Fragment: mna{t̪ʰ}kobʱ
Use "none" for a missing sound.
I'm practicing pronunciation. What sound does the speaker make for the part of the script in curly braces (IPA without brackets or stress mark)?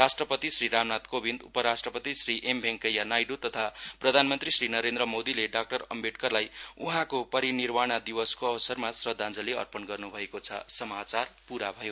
t̪